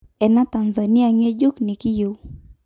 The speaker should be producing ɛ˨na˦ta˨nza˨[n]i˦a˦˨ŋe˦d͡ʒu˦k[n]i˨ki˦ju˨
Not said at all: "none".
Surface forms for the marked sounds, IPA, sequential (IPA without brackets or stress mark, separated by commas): n, n